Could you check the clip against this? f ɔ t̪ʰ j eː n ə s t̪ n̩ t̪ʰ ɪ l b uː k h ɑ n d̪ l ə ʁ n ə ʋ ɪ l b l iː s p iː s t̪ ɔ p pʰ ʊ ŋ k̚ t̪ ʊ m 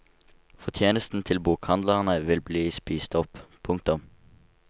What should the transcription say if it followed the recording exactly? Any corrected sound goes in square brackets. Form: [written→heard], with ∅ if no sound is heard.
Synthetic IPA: f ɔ t̪ʰ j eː n ə s t̪ n̩ t̪ʰ ɪ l b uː k h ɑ n d̪ l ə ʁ n ə ʋ ɪ l b l iː s p iː s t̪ ɔ p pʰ ʊ ŋ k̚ t̪ ʊ m